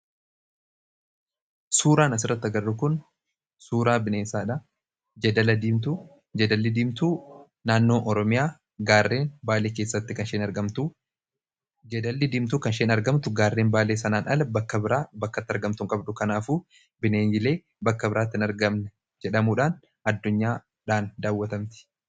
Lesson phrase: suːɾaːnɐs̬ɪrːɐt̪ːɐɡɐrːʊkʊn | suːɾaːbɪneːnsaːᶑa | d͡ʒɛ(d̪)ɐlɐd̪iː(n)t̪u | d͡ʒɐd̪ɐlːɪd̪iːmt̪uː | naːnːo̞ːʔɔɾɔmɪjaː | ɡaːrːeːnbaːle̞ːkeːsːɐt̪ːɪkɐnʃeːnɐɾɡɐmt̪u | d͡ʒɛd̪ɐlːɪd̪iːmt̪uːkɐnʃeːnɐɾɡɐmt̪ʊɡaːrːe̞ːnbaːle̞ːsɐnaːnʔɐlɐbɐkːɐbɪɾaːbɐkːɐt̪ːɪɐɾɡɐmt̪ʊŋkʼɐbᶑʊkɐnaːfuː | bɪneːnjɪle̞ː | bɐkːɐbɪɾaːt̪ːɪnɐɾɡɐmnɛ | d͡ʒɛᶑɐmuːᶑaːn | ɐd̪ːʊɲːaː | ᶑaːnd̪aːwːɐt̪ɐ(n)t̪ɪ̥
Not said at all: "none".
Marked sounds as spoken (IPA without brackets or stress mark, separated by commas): d̪, m, m